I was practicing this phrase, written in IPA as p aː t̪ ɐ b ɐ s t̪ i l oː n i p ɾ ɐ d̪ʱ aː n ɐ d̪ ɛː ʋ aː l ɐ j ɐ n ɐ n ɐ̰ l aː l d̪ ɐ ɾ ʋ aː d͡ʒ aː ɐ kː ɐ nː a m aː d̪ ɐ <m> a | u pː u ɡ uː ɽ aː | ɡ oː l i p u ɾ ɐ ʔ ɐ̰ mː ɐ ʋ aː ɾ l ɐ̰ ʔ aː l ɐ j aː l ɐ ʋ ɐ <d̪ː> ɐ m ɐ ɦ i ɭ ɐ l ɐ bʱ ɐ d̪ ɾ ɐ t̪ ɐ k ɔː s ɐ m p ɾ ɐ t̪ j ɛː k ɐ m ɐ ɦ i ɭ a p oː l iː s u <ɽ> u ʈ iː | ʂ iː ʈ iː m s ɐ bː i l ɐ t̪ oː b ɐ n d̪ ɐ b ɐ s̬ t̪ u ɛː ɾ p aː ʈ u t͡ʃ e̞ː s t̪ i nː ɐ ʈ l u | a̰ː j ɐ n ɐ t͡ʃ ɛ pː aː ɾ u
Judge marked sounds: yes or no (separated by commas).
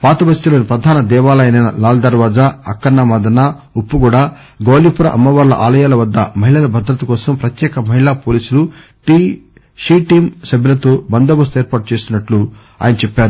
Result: no, yes, no